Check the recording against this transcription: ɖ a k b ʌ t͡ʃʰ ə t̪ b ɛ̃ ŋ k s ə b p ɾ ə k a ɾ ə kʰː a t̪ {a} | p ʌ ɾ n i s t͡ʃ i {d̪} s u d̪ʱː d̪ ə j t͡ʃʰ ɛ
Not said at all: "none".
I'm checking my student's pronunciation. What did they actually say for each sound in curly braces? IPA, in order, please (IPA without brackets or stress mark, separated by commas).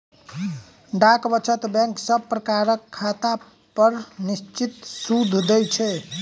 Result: a, t̪